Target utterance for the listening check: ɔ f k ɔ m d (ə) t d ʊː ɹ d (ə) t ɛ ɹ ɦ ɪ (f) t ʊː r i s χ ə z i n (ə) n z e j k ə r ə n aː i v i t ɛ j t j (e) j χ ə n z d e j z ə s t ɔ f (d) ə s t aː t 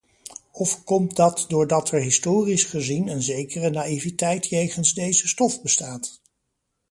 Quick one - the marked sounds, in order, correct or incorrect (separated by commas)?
incorrect, incorrect, incorrect, correct, correct, incorrect